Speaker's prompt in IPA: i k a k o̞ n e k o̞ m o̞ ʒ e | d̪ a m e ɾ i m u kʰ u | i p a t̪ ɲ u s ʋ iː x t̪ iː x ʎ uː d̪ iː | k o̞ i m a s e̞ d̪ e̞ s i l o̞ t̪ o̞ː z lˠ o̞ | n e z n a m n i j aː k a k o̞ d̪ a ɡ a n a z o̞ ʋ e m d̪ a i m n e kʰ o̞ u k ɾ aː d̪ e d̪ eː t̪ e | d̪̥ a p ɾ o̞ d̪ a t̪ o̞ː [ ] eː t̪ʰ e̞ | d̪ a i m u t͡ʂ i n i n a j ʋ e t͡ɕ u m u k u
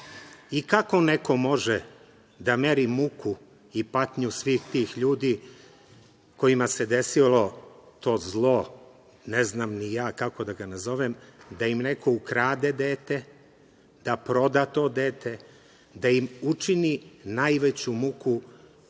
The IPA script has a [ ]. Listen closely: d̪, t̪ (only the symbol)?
d̪